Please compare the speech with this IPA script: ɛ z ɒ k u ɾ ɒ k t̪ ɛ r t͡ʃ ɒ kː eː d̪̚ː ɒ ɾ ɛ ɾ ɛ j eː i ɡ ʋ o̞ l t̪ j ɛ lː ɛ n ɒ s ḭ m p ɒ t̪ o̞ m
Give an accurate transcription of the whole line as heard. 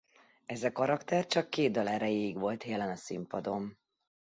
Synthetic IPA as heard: ɛ z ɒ k ɒ ɾ ɒ k t̪ ɛ r t͡ʃ ɒ kː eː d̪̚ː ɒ l ɛ ɾ ɛ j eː i ɡ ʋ o̞ l t̪ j ɛ l ɛ n ɒ s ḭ m p ɒ d̪ o̞ m